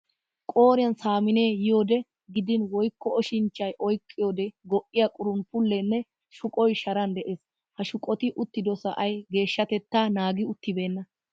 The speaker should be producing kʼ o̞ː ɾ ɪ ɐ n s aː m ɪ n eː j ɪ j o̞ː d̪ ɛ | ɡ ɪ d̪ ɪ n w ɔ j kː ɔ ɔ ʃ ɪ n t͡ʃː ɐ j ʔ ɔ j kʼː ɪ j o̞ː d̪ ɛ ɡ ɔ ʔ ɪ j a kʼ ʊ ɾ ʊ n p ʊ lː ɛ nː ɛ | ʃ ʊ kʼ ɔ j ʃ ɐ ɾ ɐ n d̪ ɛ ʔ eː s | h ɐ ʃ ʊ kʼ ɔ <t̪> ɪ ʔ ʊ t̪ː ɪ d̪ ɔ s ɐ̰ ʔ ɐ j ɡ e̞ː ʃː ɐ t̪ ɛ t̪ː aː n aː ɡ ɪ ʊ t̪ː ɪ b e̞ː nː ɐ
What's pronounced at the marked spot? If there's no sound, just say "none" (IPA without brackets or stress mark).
t̪